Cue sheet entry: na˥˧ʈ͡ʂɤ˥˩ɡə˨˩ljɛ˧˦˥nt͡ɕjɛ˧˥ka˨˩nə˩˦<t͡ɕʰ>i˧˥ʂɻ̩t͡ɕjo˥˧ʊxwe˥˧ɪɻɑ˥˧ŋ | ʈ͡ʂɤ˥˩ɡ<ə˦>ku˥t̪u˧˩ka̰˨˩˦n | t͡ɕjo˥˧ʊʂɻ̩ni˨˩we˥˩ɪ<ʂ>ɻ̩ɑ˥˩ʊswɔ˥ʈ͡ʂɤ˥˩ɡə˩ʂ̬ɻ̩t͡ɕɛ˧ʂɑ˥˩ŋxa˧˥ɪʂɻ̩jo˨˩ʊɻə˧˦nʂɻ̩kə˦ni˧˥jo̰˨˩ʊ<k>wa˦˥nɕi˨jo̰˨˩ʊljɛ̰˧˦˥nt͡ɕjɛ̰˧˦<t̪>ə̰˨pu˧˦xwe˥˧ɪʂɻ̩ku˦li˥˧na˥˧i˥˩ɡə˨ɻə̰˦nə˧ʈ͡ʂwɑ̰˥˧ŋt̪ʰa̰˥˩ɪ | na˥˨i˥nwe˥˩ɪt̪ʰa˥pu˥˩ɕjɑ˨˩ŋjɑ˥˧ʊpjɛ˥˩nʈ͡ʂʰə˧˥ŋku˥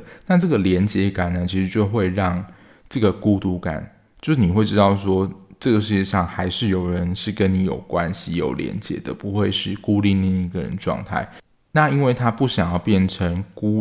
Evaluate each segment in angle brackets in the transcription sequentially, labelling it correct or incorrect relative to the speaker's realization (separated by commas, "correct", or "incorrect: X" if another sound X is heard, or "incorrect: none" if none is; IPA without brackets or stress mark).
correct, incorrect: ə˩, incorrect: ʈ͡ʂ, correct, incorrect: d̪